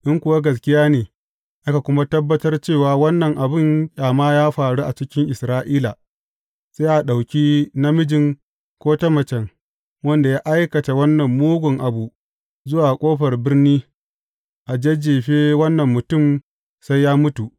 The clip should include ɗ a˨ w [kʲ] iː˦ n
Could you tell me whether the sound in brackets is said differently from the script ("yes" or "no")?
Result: no